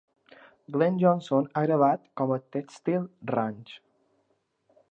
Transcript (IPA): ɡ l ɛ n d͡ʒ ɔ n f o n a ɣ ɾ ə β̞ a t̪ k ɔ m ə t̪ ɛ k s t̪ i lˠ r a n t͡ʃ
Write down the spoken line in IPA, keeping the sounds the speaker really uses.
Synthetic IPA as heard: ɡ l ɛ n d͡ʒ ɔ n s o n a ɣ ɾ ə β̞ a t̪ k ɔ m ə t̪ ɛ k s t̪ i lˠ r a n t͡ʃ

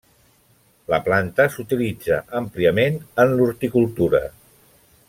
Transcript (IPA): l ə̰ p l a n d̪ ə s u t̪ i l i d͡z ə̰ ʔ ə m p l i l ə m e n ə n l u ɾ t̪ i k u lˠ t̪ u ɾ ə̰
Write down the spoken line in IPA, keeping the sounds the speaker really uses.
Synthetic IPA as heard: l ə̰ p l a n t̪ ə s u t̪ i l i d͡z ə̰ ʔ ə m p l i ə m e n ə n l u ɾ t̪ i k u lˠ t̪ u ɾ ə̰

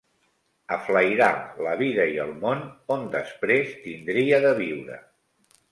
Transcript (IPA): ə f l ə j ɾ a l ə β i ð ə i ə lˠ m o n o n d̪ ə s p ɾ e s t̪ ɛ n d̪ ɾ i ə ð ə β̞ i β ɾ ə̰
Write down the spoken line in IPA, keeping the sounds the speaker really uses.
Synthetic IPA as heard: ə f l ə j ɾ a l ə β i ð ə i ə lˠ m o n o n d̪ ə s p ɾ e s t̪ i n d̪ ɾ i ə ð ə β̞ i w ɾ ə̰

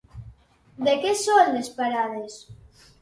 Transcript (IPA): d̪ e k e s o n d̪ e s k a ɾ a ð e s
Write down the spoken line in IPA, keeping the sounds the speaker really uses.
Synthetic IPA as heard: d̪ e k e s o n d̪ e s p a ɾ a ð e s

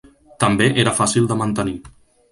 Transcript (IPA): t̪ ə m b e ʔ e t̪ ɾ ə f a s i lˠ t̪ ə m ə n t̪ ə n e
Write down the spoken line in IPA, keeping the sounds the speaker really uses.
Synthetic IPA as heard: t̪ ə m b e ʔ e ɾ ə f a s i lˠ d̪ ə m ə n t̪ ə n i

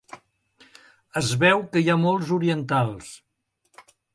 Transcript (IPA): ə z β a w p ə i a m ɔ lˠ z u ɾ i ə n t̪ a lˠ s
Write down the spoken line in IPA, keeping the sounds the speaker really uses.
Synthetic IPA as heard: ə z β ɛ w k ə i a m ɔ lˠ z u ɾ i ə n t̪ a lˠ s

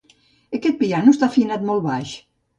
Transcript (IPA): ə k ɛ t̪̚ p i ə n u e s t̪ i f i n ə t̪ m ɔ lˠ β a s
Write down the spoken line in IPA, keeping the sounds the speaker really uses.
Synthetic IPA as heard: ə k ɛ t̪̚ p i a n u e s t̪ a f i n a t̪ m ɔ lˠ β a ʃ

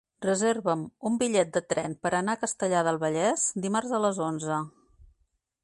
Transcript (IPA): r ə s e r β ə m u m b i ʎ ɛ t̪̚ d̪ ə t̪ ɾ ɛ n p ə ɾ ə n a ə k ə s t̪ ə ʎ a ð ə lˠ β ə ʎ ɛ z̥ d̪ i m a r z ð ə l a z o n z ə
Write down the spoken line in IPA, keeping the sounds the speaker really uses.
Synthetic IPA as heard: r ə z e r β ə m u m b i ʎ ɛ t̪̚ d̪ ə t̪ ɾ ɛ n p ə ɾ ə n a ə k ə s t̪ ə ʎ a ð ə lˠ β ə ʎ ɛ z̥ d̪ i m a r z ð ə l ə z o n z ə

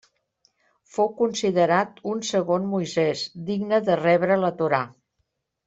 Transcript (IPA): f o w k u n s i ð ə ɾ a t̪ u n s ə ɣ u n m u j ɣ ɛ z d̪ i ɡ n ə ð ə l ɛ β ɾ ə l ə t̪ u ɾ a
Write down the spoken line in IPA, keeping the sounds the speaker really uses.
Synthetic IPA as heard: f o w k u n s i ð ə ɾ a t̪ u n s ə ɣ o n m u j z ɛ z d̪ i ɡ n ə ð ə r ɛ β ɾ ə l ə t̪ u ɾ a

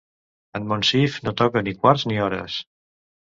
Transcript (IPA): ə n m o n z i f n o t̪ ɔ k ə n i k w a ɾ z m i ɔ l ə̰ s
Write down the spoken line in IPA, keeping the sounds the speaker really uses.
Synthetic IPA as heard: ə n m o n s i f n o t̪ ɔ k ə n i k w a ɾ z n i ɔ ɾ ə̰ s

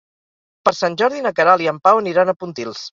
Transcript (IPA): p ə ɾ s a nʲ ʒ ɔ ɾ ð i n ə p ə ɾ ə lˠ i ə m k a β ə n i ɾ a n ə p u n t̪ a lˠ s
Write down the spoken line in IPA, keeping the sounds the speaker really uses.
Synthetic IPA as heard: p ə ɾ s a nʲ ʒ ɔ ɾ ð i n ə k ə ɾ a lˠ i ə m p a w ə n i ɾ a n ə p u n t̪ i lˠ s

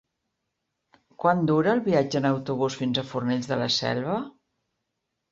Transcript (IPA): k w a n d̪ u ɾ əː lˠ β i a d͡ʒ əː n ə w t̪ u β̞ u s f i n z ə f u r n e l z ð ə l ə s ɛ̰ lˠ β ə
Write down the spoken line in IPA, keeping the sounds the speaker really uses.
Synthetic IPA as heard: k w a n d̪ u ɾ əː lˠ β i a d͡ʒ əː n ə w t̪ u β̞ u s f i n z ə f u r n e ʎ z ð ə l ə s ɛ̰ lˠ β ə

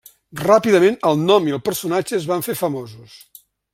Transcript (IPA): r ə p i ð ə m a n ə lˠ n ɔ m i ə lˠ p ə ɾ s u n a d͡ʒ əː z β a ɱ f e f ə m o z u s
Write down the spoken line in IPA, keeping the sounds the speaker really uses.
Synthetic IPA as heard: r a p i ð ə m e n ə lˠ n ɔ m i ə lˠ p ə ɾ s u n a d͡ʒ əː z β a ɱ f e f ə m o z u s

